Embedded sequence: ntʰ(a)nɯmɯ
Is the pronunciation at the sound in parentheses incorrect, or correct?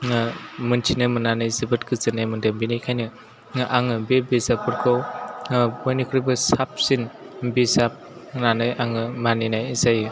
incorrect